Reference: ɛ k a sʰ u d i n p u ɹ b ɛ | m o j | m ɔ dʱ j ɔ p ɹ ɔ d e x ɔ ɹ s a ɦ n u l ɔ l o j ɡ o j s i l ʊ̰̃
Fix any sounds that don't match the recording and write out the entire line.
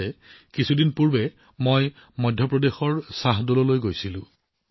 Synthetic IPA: ɛ k i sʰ u d i n p u ɹ b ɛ | m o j | m ɔ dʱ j ɔ p ɹ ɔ d e x ɔ ɹ s a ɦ d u l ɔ l o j ɡ o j s i l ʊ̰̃